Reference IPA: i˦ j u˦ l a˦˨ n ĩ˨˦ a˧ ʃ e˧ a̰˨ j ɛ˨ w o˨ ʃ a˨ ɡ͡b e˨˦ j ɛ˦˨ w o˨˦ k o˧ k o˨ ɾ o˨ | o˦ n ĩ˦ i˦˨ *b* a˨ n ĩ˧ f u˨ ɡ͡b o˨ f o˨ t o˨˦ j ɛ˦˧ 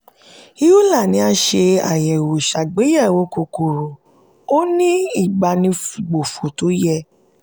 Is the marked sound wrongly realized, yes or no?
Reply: yes